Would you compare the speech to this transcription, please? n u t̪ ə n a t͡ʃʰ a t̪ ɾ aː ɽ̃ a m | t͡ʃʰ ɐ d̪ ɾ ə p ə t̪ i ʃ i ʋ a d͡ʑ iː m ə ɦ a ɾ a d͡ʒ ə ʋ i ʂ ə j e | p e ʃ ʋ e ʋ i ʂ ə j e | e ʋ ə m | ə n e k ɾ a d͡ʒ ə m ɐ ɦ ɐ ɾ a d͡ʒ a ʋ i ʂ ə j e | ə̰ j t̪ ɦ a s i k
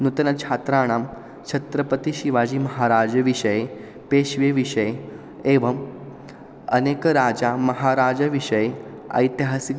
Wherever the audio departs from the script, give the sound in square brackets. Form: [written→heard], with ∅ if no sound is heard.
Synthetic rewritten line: n u t̪ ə n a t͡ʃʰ a t̪ ɾ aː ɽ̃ a m | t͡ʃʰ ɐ [d̪→t̪] ɾ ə p ə t̪ i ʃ i ʋ a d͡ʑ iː m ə ɦ a ɾ a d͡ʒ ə ʋ i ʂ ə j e | p e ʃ ʋ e ʋ i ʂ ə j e | e ʋ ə m | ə n e k ɾ a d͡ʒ [ə→a] m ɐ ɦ [ɐ→a] ɾ a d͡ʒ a ʋ i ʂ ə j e | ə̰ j t̪ ɦ a s i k